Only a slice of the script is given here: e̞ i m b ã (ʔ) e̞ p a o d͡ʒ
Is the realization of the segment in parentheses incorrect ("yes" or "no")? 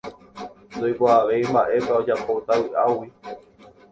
no